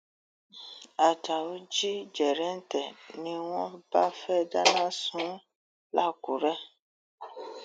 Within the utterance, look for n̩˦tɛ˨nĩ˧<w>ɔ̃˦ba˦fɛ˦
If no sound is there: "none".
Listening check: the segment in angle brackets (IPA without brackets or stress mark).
w